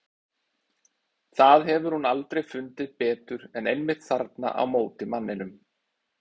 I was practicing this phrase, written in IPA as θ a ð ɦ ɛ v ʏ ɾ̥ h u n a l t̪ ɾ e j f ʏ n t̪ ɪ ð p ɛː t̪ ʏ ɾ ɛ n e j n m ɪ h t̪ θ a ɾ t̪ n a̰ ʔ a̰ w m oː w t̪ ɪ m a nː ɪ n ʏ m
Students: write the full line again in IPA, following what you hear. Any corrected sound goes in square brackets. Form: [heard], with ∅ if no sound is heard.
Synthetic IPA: θ a ð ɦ ɛ v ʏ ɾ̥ h u n a l t̪ ɾ e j f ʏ n t̪ ɪ ð p ɛː t̪ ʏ ɾ ɛ n e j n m ɪ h t̪ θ a ɾ t̪ n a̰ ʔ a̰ w m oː w t̪ ɪ m a nː ɪ n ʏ m